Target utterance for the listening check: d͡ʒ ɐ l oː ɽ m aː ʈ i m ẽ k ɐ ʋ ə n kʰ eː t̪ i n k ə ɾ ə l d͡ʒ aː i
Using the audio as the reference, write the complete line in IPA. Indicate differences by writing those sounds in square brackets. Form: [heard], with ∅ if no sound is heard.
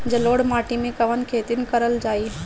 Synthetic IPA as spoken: d͡ʒ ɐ l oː ɽ m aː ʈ i m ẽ k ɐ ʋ ə n kʰ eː t̪ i n k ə ɾ ə l d͡ʒ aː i